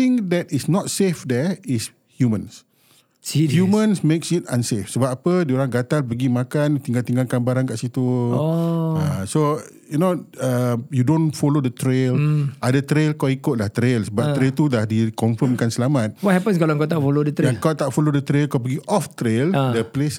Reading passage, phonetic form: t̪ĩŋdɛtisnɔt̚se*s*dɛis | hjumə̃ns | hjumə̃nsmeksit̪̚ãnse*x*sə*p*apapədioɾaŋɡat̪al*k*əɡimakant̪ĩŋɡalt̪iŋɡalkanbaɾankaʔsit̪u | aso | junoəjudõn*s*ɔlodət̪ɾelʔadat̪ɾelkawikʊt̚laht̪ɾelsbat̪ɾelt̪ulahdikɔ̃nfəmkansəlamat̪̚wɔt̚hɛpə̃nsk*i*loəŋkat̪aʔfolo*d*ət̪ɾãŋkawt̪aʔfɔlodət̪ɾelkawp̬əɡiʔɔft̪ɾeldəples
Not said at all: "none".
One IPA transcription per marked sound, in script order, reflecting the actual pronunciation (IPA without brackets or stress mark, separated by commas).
f, f, b, p, f, a, d